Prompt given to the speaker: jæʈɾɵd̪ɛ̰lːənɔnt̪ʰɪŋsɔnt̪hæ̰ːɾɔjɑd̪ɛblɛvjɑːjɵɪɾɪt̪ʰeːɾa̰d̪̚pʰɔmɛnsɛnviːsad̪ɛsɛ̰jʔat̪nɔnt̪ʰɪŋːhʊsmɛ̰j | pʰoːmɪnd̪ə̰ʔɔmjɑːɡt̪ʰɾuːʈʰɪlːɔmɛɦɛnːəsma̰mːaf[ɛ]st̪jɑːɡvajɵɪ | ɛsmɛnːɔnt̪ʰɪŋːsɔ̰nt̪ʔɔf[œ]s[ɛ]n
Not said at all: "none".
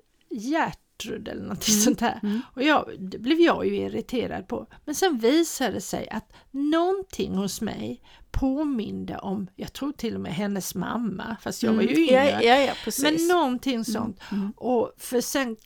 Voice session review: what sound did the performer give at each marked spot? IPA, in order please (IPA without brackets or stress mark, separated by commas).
a, œ, ɛ